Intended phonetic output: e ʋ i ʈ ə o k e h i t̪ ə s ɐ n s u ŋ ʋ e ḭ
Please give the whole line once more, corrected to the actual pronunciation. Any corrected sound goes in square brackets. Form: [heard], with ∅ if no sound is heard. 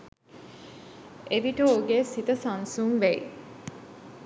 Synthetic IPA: e ʋ i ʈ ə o [ɡ] e [s] i t̪ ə s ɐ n s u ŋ ʋ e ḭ